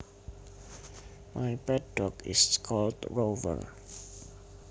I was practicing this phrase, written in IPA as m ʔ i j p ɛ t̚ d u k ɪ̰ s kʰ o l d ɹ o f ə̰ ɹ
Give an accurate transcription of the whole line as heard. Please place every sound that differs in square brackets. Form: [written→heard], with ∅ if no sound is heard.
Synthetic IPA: m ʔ [i→a] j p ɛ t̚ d [u→ɔ] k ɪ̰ s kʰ [o→ɔ] l d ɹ o [f→v] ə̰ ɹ

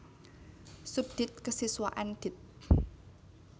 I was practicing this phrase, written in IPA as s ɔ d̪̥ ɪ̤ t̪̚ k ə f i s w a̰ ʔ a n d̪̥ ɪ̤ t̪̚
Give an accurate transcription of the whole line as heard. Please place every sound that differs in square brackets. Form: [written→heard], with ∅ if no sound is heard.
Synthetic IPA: s [ɔ→u] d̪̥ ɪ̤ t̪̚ k ə [f→s] i s w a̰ ʔ a n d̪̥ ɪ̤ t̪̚

